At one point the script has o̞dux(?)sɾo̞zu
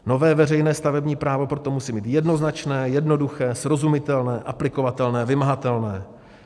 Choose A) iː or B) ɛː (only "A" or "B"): B